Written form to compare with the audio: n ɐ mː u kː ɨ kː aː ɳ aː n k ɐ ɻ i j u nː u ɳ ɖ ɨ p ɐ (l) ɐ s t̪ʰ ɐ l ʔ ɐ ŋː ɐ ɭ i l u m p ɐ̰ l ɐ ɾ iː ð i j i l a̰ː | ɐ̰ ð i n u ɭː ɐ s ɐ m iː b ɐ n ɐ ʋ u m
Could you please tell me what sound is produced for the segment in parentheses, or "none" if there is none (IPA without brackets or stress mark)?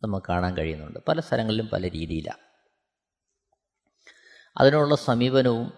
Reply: l